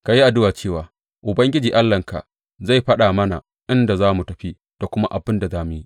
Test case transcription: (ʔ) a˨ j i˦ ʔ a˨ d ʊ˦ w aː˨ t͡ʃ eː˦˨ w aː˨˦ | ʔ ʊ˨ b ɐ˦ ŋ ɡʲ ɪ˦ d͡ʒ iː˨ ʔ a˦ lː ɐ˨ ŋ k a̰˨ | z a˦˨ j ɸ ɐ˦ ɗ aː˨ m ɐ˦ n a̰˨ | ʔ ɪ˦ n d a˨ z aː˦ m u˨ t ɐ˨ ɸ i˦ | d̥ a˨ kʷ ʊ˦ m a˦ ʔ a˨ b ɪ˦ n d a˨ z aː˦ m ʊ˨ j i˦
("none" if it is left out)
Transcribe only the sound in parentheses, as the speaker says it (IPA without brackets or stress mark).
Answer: k